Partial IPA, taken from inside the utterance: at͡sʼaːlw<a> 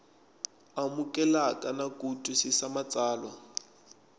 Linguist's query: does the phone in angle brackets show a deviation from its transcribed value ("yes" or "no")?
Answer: no